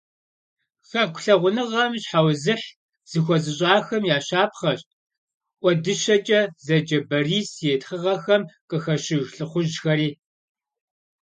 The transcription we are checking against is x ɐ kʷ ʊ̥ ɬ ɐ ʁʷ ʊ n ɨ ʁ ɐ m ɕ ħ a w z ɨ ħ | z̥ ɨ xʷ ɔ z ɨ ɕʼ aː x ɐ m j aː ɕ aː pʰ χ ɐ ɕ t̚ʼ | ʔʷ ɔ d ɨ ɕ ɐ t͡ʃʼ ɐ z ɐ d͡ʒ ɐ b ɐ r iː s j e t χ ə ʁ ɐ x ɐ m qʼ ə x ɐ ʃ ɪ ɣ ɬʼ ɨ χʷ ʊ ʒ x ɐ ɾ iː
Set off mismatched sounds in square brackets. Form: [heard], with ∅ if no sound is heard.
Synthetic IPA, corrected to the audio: x ɐ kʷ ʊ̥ ɬ ɐ ʁʷ ʊ n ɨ ʁ ɐ m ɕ ħ a w z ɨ ħ | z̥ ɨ xʷ ɔ z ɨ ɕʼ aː x ɐ m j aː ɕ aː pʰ χ ɐ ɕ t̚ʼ | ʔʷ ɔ d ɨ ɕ ɐ t͡ʃʼ ɐ z ɐ d͡ʒ ɐ b ɐ r iː s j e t χ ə ʁ ɐ x ɐ m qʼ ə x ɐ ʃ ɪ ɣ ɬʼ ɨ χʷ ʊ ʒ x ɐ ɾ iː